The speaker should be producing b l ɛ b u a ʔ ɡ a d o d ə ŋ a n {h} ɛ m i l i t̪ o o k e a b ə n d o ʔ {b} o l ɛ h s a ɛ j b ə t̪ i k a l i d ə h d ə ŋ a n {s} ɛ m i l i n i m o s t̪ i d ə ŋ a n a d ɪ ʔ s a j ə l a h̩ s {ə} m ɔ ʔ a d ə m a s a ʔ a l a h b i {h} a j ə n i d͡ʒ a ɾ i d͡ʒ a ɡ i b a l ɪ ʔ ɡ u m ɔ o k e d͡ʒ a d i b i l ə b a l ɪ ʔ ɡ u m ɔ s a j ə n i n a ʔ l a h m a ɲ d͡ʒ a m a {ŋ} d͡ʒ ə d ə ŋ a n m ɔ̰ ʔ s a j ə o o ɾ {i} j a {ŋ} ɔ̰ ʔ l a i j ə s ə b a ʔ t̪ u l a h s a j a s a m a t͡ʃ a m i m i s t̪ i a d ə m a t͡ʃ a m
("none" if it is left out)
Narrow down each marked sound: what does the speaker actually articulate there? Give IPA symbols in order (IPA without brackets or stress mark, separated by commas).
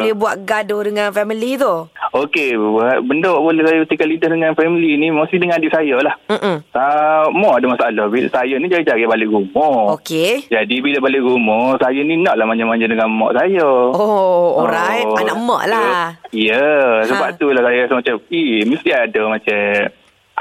f, b, f, a, s, ɲ, a, m